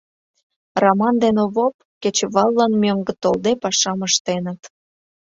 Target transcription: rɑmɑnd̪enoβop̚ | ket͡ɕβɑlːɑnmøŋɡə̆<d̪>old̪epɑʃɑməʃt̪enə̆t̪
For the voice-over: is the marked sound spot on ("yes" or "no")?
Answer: no